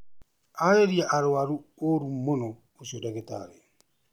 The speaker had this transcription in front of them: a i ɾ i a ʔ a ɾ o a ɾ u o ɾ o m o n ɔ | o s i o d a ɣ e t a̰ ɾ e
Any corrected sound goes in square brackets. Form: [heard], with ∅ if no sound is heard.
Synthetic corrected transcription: a [e] ɾ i a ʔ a ɾ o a ɾ u o ɾ [u] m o n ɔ | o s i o d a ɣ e t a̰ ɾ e